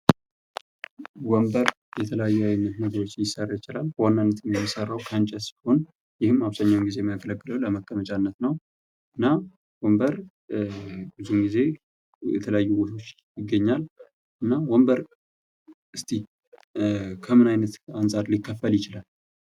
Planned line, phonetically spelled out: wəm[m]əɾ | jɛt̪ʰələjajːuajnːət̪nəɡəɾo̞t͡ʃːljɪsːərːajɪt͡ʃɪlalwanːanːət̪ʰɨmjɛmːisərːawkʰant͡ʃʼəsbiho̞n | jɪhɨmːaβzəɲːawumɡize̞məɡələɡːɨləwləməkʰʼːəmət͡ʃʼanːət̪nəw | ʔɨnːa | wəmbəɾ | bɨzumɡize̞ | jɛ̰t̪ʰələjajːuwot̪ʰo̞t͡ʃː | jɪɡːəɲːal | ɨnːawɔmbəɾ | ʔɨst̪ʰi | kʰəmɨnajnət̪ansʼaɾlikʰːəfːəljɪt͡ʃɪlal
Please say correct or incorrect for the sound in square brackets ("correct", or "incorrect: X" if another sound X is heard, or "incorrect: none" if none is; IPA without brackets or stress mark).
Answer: incorrect: b